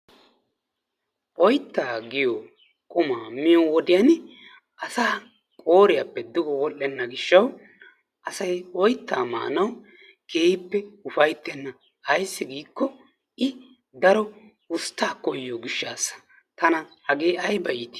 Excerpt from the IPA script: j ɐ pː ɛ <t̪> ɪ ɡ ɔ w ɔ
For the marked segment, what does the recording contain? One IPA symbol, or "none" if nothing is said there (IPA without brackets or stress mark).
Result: d̪